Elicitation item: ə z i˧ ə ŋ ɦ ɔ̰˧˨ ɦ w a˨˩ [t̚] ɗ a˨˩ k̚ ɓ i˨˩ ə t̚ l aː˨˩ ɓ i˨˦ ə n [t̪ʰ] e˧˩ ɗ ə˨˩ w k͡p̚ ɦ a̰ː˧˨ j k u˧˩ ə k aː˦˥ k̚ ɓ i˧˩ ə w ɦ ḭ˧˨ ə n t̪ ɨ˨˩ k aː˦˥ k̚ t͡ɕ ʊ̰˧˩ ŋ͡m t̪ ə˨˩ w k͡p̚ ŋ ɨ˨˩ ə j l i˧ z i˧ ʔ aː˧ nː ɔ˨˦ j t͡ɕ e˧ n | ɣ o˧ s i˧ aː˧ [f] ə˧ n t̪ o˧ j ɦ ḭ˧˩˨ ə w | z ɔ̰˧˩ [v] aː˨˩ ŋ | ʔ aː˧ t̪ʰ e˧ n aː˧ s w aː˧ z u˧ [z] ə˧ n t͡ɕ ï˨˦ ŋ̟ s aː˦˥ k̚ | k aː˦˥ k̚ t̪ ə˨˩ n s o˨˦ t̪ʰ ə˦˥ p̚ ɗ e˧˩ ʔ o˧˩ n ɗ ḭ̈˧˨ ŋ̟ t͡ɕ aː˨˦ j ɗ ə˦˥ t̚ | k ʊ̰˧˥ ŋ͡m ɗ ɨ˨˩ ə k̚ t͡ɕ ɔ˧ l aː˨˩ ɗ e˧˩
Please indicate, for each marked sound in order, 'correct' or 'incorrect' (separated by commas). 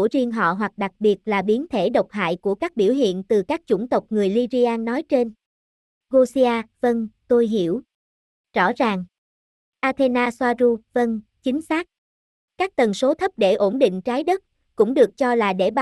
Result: incorrect, correct, incorrect, incorrect, incorrect